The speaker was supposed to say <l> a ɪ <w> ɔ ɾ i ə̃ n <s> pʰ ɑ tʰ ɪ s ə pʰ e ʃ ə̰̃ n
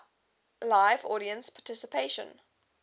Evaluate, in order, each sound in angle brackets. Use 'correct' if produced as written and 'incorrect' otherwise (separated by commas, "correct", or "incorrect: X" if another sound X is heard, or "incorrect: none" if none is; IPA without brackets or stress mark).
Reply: correct, incorrect: v, correct